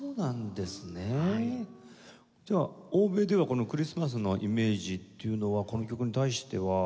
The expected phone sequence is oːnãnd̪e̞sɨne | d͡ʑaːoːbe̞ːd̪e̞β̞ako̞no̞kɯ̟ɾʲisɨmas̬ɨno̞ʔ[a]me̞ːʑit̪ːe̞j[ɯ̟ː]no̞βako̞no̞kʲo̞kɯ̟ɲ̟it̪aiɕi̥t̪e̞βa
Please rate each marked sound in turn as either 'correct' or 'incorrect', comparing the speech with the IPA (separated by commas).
incorrect, incorrect